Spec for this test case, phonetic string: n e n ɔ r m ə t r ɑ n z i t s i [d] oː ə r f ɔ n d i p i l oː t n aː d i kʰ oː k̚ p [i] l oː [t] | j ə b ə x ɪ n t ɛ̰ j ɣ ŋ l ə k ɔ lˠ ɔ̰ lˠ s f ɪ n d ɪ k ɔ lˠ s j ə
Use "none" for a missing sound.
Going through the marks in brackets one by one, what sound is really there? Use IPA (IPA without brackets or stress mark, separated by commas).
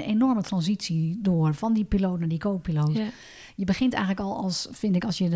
d, i, t